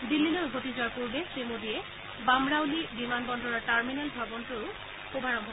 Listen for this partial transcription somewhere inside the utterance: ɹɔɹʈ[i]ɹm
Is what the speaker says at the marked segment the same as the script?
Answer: no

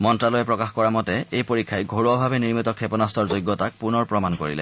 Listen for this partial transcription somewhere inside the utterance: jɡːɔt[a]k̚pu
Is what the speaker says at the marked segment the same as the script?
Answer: yes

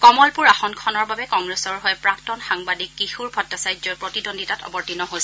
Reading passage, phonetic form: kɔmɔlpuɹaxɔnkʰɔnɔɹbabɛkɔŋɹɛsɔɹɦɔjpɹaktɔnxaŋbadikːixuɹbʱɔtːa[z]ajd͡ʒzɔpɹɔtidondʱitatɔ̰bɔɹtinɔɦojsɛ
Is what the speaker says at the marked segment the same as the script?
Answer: no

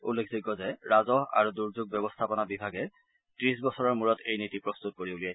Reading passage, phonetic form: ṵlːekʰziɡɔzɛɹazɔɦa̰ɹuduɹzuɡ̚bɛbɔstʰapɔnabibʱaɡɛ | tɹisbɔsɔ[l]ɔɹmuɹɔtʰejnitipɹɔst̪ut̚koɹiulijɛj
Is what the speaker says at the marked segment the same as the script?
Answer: no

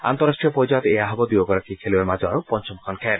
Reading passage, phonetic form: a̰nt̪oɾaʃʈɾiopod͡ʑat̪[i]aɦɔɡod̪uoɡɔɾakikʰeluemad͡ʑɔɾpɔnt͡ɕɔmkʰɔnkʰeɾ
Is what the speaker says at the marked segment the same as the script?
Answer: no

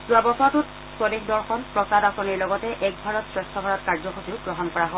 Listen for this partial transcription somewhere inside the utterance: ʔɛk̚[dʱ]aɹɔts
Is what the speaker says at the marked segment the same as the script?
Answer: no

